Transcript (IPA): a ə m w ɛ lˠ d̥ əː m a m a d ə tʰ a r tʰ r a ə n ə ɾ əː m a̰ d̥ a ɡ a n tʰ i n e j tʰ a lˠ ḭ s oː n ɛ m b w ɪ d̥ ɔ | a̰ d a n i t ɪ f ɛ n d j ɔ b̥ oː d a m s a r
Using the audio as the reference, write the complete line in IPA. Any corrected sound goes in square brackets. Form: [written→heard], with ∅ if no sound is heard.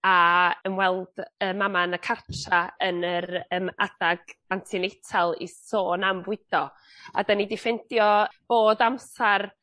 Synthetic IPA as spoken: a ə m w ɛ lˠ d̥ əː m a m a [d→n] ə [tʰ→kʰ] a r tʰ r a ə n ə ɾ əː m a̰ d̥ a ɡ a n tʰ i n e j tʰ a lˠ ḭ s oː n [ɛ→a] m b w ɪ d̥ ɔ | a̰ d a n i [t→d] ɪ f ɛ n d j ɔ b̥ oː d a m s a r